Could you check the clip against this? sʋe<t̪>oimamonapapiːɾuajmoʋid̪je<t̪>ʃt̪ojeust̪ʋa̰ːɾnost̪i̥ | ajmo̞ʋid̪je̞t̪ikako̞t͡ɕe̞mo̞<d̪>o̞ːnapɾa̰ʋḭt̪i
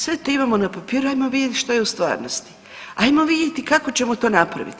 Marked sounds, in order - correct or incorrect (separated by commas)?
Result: correct, correct, incorrect